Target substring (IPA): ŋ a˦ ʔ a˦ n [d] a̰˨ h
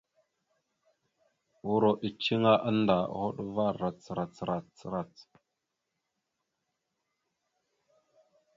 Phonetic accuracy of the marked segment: correct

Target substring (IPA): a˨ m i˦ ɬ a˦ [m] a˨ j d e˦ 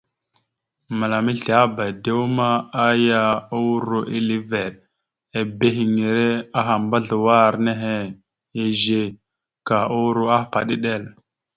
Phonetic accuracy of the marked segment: incorrect: b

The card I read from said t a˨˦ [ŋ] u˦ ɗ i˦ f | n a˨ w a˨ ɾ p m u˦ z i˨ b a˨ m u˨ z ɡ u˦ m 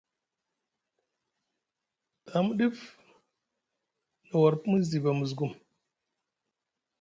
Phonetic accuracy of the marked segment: incorrect: m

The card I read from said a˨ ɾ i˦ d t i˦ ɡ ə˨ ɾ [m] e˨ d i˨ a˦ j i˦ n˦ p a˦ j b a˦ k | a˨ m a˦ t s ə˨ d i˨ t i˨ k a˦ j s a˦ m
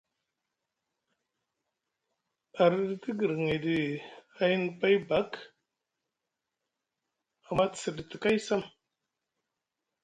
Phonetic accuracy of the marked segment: incorrect: ŋ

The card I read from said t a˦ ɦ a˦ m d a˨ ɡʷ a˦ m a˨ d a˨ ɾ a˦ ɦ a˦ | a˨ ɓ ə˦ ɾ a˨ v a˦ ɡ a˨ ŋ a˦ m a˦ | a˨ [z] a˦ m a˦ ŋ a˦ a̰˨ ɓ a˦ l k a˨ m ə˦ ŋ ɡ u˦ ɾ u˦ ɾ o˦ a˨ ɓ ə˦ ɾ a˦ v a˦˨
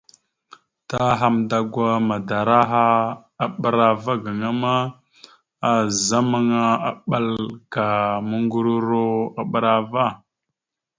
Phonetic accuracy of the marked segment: correct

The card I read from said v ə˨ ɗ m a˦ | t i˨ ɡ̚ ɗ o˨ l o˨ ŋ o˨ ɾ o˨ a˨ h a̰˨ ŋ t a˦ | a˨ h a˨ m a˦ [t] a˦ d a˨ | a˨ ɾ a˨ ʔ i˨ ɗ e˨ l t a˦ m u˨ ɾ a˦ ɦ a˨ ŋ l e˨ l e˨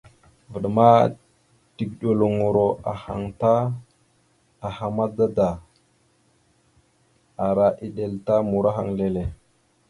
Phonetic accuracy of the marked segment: incorrect: d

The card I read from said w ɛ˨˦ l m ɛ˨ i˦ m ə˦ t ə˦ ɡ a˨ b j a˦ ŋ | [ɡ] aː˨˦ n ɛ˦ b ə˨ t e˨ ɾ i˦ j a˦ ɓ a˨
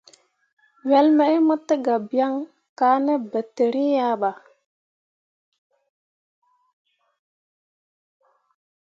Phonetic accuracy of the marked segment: incorrect: k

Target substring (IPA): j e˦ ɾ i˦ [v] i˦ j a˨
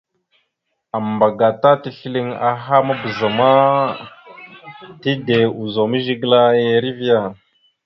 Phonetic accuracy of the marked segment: correct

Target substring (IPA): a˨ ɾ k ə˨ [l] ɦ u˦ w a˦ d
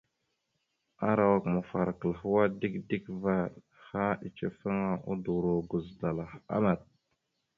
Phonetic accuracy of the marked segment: correct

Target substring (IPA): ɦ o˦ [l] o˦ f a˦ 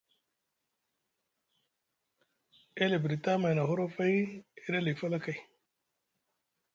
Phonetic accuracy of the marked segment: incorrect: ɾ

